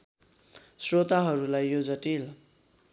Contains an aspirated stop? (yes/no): no